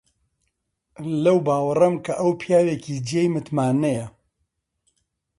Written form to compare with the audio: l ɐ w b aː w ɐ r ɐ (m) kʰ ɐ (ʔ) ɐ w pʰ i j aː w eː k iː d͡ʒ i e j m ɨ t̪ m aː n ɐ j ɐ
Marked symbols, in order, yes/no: yes, yes

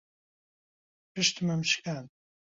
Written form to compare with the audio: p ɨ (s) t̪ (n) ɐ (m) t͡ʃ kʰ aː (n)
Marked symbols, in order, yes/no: no, no, yes, yes

